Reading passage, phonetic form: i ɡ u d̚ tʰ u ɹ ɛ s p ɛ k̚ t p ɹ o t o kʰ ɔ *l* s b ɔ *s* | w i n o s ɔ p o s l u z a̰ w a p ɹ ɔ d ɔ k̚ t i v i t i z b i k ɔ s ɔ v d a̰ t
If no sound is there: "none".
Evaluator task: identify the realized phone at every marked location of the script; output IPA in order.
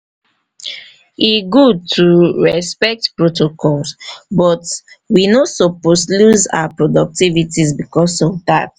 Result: l, t

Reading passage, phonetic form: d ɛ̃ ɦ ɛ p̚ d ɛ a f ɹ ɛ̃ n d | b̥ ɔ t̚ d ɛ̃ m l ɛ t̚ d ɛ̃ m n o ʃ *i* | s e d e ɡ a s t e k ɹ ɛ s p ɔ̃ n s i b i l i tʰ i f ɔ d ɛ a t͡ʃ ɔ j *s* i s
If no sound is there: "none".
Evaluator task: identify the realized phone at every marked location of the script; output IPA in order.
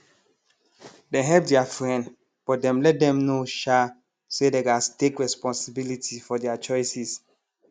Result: a, s

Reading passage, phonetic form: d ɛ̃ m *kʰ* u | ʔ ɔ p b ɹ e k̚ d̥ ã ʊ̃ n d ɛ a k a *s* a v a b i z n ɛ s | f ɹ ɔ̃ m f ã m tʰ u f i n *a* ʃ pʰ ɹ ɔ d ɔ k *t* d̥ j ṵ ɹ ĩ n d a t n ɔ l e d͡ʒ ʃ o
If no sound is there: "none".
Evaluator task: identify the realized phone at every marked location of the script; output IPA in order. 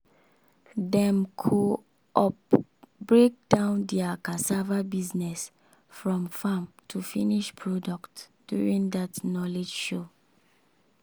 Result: kʰ, s, i, t

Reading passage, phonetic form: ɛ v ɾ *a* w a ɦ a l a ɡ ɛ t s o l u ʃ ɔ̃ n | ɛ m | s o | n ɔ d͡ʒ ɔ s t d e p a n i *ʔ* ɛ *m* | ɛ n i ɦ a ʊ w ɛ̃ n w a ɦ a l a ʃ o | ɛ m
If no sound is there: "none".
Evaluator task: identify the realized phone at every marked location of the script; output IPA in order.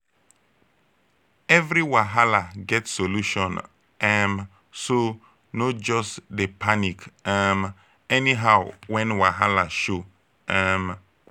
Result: i, k, m

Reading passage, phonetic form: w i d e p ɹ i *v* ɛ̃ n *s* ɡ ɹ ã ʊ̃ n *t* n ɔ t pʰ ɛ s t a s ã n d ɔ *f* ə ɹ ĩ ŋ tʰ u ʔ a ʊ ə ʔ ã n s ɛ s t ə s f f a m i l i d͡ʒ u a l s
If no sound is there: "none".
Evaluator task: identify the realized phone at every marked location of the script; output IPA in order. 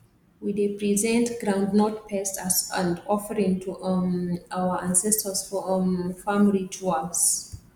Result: z, t, d, f

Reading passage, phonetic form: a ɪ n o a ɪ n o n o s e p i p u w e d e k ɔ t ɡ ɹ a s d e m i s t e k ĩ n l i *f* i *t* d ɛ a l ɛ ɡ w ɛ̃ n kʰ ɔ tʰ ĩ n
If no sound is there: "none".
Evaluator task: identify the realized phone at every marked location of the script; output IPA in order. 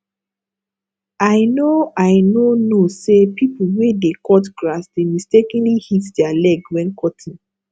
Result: h, t

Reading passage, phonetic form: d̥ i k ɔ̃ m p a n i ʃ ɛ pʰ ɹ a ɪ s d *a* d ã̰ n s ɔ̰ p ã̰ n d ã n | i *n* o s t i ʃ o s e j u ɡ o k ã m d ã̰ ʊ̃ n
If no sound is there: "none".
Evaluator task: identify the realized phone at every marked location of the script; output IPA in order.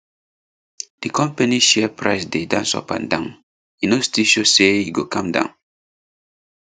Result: e, n

